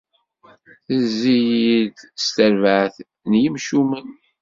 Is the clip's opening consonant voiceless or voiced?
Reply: voiceless